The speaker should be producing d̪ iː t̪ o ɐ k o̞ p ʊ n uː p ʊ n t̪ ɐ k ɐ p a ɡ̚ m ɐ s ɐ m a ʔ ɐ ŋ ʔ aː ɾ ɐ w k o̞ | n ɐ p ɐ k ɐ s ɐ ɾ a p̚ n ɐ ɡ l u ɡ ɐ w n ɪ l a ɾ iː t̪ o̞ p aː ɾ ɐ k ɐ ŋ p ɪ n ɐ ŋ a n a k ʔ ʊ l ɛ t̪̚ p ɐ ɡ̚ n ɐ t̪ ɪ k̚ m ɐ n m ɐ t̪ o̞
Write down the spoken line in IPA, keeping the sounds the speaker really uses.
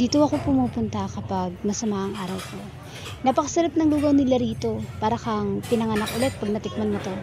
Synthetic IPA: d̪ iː t̪ o ɐ k o̞ p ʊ m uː p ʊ n t̪ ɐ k ɐ p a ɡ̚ m ɐ s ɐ m a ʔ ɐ ŋ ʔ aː ɾ ɐ w k o̞ | n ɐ p ɐ k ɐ s ɐ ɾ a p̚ n ɐ ŋ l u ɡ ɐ w n ɪ l a ɾ iː t̪ o̞ p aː ɾ ɐ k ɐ ŋ p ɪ n ɐ ŋ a n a k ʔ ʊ l ɛ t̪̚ p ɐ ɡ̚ n ɐ t̪ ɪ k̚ m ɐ n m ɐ t̪ o̞